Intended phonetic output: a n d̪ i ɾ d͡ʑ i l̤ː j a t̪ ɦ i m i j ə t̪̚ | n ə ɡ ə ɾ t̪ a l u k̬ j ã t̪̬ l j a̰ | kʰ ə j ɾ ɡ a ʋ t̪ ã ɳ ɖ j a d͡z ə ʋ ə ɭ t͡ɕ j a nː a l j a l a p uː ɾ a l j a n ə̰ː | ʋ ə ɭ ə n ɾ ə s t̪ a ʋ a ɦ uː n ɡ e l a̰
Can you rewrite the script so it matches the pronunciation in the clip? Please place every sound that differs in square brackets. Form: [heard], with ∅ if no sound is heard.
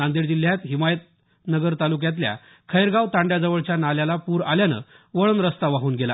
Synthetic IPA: a n d̪ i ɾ d͡ʑ i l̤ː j a t̪ ɦ i m [a] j ə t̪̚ | n ə ɡ ə ɾ t̪ a l u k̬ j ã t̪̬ l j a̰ | kʰ ə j ɾ ɡ a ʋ t̪ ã ɳ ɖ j a d͡z ə ʋ ə ɭ t͡ɕ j a [n] a l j a l a p uː ɾ a l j a n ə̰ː | ʋ ə ɭ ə n ɾ ə s t̪ a ʋ a ɦ uː n ɡ e l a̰

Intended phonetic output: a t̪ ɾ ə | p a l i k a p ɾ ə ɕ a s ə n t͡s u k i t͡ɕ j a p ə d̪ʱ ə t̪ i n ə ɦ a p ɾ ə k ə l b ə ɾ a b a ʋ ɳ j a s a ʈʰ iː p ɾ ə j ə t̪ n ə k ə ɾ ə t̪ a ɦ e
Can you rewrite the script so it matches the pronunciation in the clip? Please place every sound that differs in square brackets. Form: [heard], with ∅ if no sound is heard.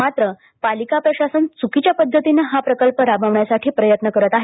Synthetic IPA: a t̪ ɾ ə | p a l i k a p ɾ ə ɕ a s ə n t͡s u k i t͡ɕ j a p ə [d̪ʱː] ə t̪ i n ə ɦ a p ɾ ə k ə l [p] ə ɾ a b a ʋ ɳ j a s a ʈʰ iː p ɾ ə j ə t̪ n ə k ə ɾ ə t̪ a ɦ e

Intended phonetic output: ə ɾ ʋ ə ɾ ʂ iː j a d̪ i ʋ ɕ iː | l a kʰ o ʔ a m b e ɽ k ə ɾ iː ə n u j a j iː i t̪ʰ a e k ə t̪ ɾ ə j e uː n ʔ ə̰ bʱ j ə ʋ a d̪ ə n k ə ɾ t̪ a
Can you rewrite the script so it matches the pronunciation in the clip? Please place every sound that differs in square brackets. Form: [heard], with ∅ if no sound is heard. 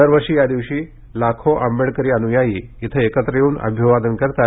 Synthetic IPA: ə ɾ ʋ ə ɾ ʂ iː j a d̪ i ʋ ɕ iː | l a kʰ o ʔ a m b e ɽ k ə ɾ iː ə n u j a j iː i t̪ʰ [ə] e k ə t̪ ɾ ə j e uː n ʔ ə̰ bʱ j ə ʋ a d̪ ə n k ə ɾ t̪ a

